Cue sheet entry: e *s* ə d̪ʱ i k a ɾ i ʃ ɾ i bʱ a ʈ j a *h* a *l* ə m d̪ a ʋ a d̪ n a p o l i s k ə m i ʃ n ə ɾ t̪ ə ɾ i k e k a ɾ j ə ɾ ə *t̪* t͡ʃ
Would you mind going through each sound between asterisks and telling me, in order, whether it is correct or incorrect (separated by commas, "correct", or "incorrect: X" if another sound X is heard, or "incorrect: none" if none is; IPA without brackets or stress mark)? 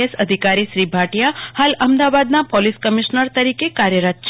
correct, correct, correct, correct